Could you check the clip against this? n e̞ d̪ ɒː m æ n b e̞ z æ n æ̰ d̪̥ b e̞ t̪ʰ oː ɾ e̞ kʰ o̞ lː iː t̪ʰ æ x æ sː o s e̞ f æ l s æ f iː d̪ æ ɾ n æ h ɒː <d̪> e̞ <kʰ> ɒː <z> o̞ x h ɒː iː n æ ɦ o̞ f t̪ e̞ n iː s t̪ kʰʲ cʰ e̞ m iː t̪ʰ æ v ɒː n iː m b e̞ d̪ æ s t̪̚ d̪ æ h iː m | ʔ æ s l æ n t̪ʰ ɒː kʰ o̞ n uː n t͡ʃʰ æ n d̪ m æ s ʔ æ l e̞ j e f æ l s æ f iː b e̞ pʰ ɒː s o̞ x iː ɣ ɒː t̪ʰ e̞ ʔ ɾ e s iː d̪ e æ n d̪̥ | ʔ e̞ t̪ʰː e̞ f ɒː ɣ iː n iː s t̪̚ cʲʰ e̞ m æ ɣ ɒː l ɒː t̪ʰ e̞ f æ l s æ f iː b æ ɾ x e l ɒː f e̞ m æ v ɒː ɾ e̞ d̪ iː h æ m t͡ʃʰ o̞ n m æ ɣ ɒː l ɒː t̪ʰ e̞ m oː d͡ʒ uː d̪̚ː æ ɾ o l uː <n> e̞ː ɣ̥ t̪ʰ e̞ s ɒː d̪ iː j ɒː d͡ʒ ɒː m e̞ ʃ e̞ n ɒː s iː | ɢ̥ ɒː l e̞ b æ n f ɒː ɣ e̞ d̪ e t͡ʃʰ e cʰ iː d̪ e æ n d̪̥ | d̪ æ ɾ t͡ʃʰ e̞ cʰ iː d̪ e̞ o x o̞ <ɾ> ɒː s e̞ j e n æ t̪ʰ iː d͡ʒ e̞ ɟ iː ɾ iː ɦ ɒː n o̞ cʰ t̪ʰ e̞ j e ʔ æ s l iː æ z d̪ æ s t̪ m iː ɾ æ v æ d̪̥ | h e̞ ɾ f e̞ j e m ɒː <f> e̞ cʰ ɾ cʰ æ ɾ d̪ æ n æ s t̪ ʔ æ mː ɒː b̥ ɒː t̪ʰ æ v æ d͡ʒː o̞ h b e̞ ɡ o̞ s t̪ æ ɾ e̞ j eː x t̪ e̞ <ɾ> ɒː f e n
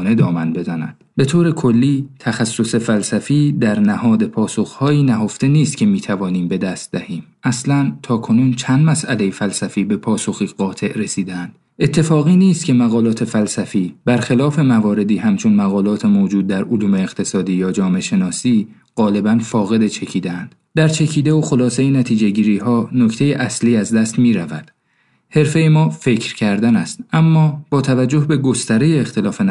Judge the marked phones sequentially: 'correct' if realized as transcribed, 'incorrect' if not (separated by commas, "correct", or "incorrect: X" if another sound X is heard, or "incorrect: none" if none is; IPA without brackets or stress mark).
correct, incorrect: pʰ, incorrect: s, incorrect: m, incorrect: l, correct, incorrect: l